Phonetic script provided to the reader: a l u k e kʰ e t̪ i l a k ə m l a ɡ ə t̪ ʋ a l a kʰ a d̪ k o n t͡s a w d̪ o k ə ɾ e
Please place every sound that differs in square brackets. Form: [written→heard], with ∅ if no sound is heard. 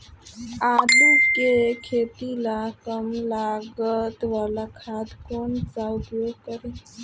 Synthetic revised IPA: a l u k e kʰ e t̪ i l a k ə m l a ɡ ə t̪ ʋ a l a kʰ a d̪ k o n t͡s a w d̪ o k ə ɾ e